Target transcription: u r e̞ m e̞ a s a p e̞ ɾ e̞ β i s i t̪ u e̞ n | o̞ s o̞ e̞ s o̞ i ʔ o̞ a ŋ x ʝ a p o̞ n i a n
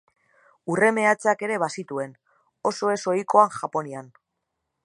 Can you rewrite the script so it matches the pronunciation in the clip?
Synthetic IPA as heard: u r e̞ m e̞ a t͡s a k e̞ ɾ e̞ β a s i t̪ u e̞ n | o̞ s o̞ e̞ s o̞ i k o̞ a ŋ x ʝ a p o̞ n i a n